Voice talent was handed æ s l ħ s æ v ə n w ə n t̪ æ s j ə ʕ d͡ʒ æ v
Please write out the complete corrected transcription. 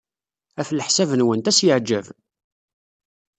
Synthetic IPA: æ f l ħ s æ v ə n w ə n t̪ æ s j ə ʕ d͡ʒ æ v